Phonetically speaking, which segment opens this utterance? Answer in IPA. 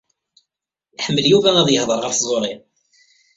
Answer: ħ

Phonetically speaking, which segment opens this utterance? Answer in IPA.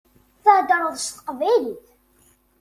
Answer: θ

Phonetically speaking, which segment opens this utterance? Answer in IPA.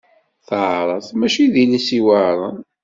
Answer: θ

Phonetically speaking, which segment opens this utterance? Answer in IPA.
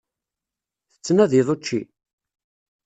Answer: θ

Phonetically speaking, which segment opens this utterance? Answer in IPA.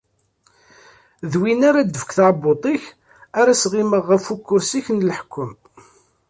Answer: ð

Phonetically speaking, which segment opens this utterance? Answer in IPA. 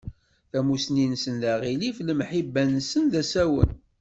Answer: θ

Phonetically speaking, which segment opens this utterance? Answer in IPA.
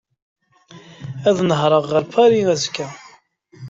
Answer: æ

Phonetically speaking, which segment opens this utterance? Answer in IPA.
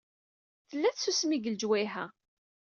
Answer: θ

